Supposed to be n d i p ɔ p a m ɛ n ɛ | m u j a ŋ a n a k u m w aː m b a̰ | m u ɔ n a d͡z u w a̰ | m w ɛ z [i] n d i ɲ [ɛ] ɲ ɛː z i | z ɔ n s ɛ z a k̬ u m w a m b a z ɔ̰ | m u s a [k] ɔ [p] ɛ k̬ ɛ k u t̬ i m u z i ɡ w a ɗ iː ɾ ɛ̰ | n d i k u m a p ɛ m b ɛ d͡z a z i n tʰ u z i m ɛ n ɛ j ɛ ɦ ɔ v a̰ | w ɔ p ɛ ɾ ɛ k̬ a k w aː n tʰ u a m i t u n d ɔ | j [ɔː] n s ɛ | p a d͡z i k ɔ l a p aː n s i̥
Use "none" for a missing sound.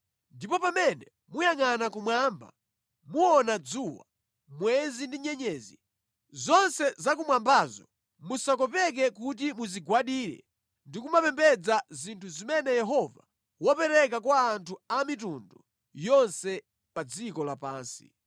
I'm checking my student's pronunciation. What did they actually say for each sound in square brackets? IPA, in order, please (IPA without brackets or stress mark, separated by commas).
i, ɛ, k, p, ɔ